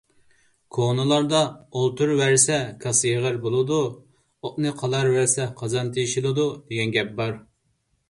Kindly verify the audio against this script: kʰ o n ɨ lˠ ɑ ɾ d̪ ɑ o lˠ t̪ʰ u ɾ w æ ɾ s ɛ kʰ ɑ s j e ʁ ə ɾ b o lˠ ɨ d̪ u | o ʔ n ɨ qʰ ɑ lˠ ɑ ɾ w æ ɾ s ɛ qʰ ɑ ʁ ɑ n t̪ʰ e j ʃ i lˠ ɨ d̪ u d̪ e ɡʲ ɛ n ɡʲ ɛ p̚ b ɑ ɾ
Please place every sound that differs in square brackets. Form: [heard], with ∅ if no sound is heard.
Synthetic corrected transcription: kʰ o n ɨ lˠ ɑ ɾ d̪ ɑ o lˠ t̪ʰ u ɾ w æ ɾ s ɛ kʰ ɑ s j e ʁ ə ɾ b o lˠ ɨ d̪ u | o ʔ n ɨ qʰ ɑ lˠ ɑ ɾ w æ ɾ s ɛ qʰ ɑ [z] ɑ n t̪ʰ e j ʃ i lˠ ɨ d̪ u d̪ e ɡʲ ɛ n ɡʲ ɛ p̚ b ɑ ɾ